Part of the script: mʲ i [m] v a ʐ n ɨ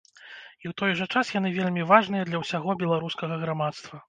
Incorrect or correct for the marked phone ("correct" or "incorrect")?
incorrect